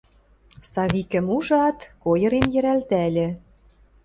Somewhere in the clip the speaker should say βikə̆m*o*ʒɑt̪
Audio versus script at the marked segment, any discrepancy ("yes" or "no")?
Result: yes